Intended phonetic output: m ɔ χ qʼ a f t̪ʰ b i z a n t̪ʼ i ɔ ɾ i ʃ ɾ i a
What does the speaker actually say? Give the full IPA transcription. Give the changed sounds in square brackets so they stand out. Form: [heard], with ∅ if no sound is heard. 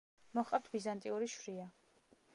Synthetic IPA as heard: m ɔ χ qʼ a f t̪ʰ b i z a n t̪ʼ i [u] ɾ i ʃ ɾ i a